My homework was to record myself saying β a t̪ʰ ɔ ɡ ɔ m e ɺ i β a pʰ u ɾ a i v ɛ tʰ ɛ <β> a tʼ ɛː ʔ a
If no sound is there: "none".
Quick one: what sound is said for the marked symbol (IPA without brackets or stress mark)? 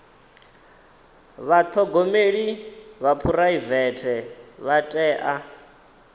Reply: β